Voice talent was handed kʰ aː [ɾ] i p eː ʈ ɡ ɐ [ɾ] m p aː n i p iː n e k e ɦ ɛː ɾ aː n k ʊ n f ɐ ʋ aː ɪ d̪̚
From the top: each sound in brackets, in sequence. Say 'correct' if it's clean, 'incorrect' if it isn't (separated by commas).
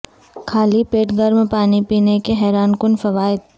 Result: incorrect, correct